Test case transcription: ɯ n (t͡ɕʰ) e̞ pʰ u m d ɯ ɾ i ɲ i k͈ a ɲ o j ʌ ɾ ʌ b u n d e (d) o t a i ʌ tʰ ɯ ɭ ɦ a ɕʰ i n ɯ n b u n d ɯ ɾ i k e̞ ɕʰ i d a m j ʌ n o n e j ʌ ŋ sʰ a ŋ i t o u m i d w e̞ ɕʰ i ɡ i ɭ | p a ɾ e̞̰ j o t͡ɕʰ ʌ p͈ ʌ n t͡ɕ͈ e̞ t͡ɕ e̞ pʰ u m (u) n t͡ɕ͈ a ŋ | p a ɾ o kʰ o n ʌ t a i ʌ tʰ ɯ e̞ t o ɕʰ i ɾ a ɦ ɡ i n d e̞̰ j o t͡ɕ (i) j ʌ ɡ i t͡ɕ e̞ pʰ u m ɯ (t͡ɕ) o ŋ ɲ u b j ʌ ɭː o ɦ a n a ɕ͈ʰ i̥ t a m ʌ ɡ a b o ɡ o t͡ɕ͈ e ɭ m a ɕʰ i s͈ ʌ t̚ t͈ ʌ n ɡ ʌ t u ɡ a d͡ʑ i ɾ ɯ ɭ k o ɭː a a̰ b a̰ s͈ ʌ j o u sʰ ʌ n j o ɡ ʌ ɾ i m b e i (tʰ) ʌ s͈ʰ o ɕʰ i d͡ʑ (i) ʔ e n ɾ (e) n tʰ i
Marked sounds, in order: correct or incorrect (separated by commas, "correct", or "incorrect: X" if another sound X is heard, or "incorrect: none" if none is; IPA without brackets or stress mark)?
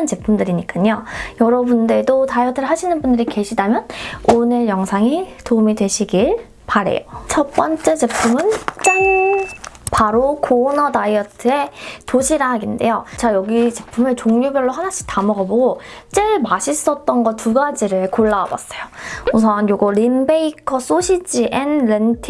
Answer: incorrect: t͡ɕ, correct, incorrect: ɯ, incorrect: a, correct, incorrect: kʰ, correct, correct